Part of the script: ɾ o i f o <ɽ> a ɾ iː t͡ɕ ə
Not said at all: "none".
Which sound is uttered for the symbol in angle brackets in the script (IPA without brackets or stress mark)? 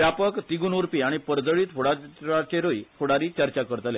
ɽ